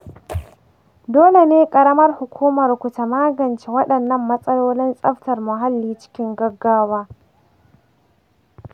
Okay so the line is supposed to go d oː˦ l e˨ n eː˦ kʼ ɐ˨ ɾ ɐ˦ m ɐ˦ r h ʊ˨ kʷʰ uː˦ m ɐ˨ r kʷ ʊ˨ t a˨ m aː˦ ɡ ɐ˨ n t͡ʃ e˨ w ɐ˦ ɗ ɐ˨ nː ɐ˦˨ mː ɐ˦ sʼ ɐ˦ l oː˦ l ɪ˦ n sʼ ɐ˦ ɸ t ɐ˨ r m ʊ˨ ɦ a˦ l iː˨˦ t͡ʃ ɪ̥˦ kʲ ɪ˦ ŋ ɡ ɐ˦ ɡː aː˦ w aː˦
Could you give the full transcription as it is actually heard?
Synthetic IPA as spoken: d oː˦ l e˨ n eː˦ kʼ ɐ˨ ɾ ɐ˦ m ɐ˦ r h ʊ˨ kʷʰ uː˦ m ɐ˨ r kʷ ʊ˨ t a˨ m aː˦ ɡ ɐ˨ n t͡ʃ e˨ w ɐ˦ ɗ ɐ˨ nː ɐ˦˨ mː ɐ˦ sʼ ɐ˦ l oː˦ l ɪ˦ n sʼ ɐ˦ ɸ t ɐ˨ r m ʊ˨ ɦ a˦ lː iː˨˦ t͡ʃ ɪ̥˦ kʲ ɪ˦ ŋ ɡ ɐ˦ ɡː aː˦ w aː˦